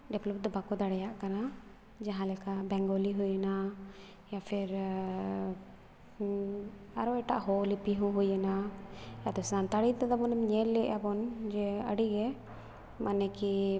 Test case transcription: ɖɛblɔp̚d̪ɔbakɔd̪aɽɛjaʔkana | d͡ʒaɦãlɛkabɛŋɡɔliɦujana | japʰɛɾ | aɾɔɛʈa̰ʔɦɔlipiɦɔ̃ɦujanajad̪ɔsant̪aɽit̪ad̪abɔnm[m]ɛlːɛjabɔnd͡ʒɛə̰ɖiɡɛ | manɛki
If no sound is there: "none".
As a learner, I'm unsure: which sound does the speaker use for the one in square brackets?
ɲ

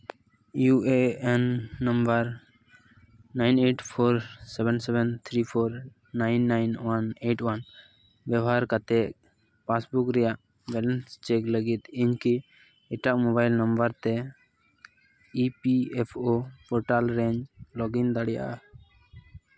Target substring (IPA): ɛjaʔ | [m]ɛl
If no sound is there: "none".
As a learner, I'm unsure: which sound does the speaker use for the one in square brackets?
b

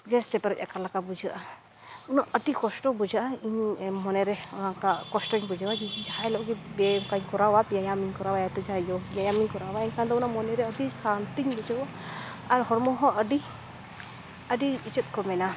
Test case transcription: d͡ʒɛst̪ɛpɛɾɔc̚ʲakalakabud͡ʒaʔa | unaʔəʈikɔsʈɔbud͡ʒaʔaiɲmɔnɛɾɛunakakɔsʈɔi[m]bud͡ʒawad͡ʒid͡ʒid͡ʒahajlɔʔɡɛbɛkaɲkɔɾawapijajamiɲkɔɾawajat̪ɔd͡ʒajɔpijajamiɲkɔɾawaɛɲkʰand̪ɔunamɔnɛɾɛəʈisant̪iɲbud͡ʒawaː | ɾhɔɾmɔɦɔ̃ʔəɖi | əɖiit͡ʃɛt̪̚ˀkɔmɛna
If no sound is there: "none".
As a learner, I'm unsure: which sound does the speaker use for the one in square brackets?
ɲ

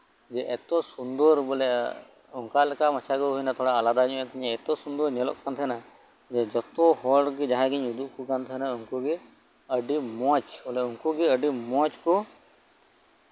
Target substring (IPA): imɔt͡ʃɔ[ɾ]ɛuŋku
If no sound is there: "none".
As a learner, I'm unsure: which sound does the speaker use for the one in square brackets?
l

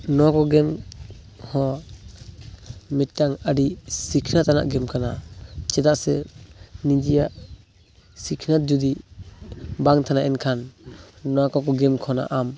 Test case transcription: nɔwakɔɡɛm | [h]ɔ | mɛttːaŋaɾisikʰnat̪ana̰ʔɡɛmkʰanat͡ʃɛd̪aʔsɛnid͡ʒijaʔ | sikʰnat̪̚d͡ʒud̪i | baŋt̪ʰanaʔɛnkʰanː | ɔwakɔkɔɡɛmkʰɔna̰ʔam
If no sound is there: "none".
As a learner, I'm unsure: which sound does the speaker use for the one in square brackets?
h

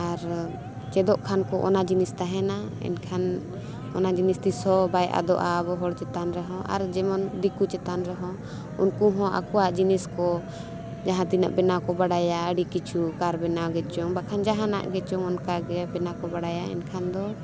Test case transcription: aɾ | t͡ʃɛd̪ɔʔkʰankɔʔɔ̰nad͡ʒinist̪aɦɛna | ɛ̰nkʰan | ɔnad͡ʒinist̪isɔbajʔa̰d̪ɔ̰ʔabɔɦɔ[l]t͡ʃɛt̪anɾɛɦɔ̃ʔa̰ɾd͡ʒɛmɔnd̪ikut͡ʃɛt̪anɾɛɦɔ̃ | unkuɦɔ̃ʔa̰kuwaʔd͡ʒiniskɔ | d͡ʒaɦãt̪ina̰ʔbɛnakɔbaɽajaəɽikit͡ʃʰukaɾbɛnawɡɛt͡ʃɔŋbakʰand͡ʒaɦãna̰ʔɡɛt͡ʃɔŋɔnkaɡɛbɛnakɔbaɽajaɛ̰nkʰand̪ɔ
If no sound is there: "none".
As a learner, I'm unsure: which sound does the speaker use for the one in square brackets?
ɽ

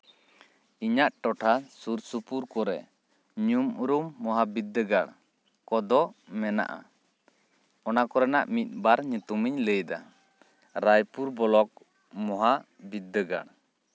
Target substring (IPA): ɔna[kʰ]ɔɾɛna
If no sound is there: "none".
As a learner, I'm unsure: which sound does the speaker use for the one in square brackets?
k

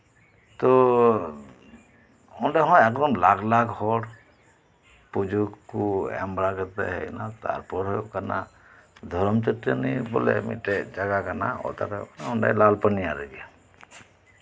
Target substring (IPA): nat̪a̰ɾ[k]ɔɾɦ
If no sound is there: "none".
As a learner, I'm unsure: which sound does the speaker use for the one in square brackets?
p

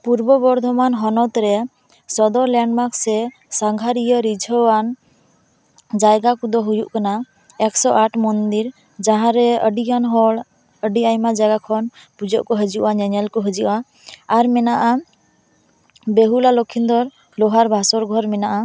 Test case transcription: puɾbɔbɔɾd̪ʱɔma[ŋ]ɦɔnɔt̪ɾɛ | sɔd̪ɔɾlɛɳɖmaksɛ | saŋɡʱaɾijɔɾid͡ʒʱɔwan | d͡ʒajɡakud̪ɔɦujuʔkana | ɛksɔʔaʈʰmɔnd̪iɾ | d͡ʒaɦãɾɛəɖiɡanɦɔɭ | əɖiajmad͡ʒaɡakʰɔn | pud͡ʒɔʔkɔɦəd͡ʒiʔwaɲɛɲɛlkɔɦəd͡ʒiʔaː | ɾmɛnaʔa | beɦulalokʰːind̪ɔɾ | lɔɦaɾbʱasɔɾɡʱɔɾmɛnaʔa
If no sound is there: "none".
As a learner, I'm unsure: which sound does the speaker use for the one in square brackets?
n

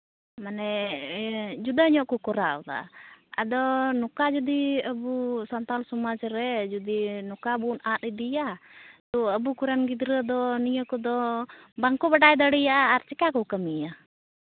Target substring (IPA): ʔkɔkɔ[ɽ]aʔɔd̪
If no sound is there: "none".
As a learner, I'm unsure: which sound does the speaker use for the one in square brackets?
ɾ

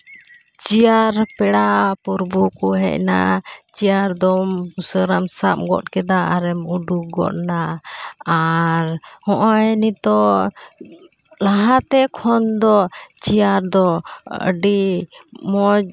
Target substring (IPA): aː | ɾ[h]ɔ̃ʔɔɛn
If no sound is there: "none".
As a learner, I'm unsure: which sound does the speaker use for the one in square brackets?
h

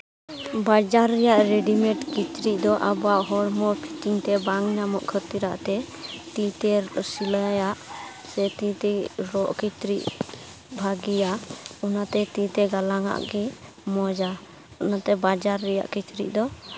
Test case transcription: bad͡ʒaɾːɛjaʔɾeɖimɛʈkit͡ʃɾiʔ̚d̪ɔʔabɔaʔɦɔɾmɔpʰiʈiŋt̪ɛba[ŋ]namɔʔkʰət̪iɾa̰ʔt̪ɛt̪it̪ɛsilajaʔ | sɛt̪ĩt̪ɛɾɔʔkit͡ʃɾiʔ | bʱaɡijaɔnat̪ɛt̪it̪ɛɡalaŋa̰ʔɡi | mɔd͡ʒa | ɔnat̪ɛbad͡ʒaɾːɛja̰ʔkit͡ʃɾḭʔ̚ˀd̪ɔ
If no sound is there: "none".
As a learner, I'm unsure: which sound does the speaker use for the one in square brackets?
ŋ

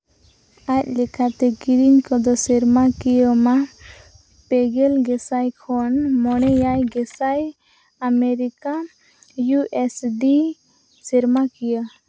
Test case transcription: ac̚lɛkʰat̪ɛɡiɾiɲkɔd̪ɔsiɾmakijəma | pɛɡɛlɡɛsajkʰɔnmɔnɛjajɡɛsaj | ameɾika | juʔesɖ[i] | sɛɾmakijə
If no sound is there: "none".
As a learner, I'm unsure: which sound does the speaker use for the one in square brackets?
i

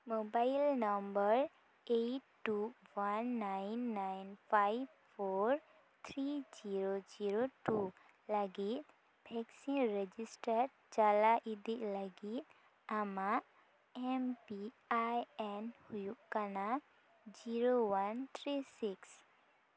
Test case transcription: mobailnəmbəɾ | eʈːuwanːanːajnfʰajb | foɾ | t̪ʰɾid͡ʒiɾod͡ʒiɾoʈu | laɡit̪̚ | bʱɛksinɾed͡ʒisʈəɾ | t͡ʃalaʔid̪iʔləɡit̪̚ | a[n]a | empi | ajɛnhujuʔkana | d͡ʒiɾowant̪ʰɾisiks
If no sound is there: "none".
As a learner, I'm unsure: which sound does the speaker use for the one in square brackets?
m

